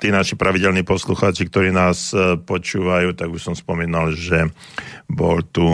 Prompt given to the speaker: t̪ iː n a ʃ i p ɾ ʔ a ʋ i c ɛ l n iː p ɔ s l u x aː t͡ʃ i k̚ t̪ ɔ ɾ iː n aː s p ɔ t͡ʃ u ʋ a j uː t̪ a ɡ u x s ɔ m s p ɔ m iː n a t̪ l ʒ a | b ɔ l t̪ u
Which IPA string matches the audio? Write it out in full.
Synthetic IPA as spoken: t̪ iː n a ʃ i p ɾ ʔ a ʋ i ɟ ɛ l n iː p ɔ s l u x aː t͡ʃ i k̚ t̪ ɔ ɾ iː n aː s p ɔ t͡ʃ uː ʋ a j uː t̪ a ɡ u ʃ s ɔ m s p ɔ m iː n a l ʒ ɛ | b ɔ l t̪ u